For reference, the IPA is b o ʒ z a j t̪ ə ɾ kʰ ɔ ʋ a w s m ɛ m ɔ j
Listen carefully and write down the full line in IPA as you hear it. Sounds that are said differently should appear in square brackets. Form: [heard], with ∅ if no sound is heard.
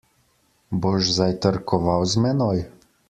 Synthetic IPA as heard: b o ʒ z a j t̪ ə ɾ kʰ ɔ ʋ a w [z] m ɛ [n] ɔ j